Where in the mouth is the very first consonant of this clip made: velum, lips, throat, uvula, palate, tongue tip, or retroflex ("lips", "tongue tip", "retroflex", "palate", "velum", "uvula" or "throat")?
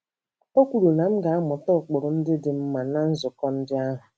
velum